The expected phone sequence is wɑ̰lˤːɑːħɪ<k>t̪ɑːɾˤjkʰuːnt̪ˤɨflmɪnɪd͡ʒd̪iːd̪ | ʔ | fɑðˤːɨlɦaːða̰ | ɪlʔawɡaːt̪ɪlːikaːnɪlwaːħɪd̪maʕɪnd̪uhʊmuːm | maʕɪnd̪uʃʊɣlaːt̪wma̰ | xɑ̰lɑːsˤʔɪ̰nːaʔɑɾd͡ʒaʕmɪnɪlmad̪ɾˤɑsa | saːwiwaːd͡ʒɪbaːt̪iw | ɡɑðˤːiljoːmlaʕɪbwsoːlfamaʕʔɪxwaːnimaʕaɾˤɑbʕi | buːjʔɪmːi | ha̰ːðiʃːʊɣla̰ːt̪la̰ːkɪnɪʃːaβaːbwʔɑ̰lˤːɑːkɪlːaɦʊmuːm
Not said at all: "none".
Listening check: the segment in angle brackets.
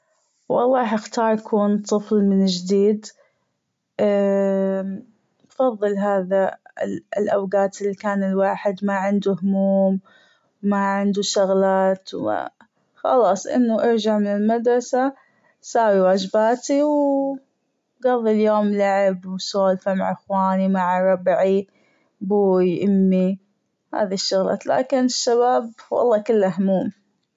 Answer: x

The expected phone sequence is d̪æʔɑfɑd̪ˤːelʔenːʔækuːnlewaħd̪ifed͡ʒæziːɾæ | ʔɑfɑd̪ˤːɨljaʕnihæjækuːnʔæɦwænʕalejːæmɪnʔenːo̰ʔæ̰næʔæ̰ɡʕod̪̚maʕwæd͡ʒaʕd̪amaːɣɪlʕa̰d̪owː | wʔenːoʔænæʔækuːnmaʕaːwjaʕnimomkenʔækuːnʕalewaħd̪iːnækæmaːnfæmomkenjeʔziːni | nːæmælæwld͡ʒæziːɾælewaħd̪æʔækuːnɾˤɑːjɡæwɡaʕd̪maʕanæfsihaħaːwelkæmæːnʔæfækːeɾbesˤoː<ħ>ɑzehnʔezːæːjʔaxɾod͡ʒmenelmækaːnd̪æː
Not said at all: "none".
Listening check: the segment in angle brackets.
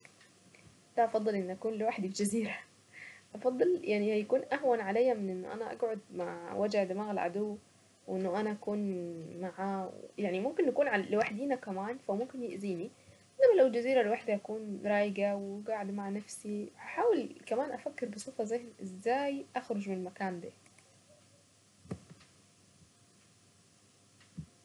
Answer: f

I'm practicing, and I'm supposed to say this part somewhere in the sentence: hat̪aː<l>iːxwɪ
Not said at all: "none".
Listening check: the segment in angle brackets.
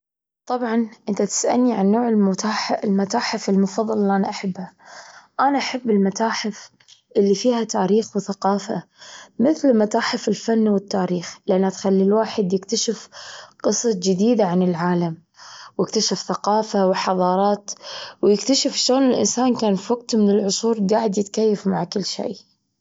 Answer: ɾ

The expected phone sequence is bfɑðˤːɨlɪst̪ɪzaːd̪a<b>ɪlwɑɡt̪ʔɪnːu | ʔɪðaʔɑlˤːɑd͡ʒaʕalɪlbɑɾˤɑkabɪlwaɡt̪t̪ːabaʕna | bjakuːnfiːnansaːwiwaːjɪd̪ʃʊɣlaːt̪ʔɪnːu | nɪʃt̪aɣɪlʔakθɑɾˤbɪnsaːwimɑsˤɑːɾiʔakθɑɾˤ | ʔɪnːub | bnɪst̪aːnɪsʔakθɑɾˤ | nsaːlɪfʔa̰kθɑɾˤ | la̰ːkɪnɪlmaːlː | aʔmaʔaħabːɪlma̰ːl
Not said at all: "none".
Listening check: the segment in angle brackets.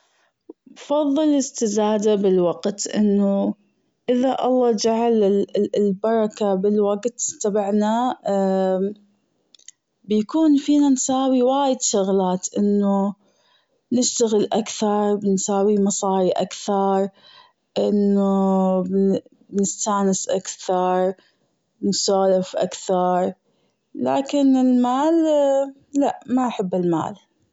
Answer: b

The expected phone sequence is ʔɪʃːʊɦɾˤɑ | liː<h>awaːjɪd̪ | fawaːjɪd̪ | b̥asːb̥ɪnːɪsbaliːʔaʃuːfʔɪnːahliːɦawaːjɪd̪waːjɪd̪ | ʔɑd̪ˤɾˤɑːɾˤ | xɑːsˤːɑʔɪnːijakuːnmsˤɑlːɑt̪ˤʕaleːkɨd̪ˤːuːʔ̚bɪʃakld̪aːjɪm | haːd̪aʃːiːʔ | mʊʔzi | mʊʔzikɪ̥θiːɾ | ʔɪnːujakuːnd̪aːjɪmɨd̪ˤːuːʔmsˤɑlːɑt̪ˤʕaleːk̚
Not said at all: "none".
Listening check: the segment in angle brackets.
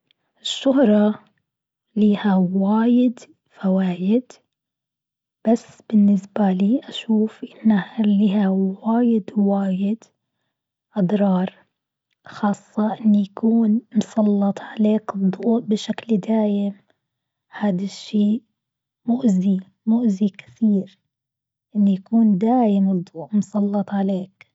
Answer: h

